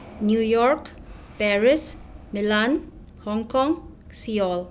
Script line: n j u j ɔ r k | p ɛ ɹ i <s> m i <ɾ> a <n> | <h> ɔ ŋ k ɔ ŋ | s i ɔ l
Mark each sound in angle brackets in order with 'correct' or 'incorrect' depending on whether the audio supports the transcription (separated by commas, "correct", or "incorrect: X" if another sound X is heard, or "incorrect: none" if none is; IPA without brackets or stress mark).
correct, incorrect: l, correct, correct